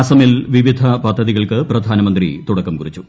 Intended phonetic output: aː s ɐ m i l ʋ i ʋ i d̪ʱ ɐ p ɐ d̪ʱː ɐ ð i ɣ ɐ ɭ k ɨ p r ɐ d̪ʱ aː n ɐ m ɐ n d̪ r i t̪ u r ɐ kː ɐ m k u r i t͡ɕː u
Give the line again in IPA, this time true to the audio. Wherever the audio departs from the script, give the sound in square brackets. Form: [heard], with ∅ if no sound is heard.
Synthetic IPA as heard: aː s ɐ m i l ʋ i ʋ i d̪ʱ ɐ p ɐ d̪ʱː ɐ ð i ɣ ɐ ɭ k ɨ p r ɐ d̪ʱ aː n ɐ m ɐ n d̪ r i t̪ u [ɽ] ɐ kː ɐ m k u r i t͡ɕː u